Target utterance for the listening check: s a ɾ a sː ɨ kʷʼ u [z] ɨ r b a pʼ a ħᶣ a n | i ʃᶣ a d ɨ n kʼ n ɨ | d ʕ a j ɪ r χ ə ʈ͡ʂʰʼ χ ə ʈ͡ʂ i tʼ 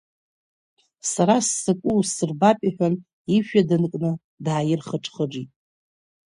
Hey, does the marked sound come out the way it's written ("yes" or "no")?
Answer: no